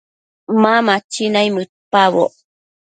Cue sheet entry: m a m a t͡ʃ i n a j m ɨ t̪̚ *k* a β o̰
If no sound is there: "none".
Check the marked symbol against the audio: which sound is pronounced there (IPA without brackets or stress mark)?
p